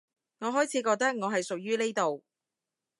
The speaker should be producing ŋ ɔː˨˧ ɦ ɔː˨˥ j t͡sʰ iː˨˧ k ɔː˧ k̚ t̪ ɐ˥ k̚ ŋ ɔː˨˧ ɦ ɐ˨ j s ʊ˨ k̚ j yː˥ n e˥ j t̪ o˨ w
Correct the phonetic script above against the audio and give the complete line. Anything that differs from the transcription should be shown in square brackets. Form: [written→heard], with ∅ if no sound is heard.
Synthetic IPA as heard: ŋ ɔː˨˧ ɦ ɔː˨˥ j t͡sʰ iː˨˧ k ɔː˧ k̚ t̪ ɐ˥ k̚ ŋ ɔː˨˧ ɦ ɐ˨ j s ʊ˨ k̚ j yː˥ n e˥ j t̪ o˨ w